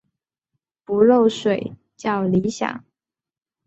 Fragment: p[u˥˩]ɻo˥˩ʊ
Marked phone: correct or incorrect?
incorrect: u˧˥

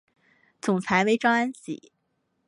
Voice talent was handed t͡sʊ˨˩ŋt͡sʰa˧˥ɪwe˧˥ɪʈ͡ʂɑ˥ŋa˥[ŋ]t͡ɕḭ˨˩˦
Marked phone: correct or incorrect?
incorrect: n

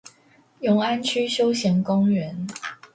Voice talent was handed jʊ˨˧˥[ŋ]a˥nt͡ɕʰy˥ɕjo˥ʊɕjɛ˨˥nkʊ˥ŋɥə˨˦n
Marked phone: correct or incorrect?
correct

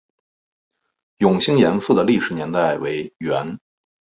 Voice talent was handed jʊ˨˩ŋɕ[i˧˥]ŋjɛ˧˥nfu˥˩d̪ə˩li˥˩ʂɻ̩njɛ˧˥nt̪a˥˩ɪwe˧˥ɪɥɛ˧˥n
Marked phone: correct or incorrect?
incorrect: i˥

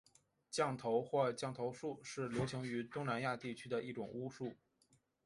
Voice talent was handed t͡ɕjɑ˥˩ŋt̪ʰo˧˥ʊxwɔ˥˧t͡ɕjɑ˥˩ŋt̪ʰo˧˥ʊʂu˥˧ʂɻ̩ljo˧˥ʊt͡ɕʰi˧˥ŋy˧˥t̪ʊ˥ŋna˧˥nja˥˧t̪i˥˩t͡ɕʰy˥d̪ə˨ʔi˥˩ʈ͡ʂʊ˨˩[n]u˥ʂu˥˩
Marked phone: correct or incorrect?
incorrect: ŋ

